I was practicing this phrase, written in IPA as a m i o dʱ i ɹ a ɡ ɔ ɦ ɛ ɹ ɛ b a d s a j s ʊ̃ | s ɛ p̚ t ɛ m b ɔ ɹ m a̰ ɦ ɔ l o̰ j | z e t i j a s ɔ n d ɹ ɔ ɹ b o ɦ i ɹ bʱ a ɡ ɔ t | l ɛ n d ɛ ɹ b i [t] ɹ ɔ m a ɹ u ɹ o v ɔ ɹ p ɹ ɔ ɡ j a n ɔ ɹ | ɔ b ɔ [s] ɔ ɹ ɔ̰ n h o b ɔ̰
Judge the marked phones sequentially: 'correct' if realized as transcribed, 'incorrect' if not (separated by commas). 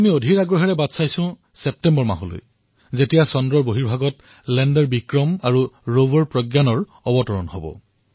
incorrect, incorrect